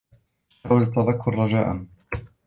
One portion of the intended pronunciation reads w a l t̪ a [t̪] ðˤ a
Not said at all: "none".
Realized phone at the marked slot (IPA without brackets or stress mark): none